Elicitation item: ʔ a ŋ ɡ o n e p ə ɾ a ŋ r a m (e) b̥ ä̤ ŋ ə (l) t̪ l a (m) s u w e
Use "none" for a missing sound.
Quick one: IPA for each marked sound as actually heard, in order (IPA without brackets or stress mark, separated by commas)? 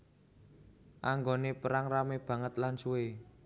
e, none, n